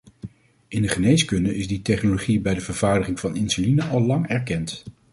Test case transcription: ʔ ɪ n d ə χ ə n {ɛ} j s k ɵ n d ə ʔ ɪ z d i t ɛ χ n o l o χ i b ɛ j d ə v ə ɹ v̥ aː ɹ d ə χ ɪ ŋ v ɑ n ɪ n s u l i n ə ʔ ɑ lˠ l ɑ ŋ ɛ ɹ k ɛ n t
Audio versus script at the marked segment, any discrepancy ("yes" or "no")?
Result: yes